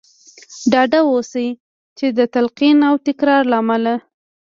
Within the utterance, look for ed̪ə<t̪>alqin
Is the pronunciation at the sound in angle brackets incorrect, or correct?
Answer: correct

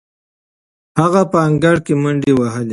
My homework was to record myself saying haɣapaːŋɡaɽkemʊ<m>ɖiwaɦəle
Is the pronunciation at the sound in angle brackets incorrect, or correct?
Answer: incorrect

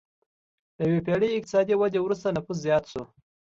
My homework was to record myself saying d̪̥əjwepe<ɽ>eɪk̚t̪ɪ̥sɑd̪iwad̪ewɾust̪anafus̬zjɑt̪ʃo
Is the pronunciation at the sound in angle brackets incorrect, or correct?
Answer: correct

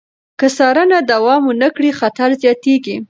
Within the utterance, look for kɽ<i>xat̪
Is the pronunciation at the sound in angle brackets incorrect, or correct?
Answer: correct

